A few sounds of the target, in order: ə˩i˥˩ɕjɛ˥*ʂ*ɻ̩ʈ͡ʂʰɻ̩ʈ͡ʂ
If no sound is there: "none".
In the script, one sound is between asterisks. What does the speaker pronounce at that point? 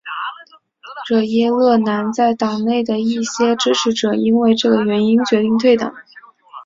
ʈ͡ʂ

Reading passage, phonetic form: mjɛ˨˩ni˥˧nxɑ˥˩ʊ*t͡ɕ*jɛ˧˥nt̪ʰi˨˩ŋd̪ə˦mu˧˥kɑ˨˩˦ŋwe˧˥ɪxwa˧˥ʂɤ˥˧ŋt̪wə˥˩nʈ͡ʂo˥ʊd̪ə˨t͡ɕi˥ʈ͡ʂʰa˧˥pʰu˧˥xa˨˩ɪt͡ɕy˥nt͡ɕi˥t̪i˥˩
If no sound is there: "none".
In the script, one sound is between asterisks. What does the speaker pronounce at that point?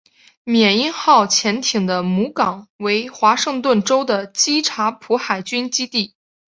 t͡ɕʰ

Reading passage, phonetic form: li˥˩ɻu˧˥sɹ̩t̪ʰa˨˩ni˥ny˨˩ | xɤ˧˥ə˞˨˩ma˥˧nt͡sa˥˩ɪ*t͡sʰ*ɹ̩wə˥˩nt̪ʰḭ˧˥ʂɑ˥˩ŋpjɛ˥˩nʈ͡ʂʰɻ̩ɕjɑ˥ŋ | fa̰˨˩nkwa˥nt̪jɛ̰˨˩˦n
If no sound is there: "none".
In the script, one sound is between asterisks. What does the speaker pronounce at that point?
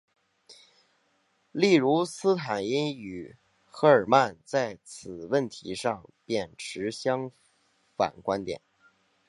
t͡sʰ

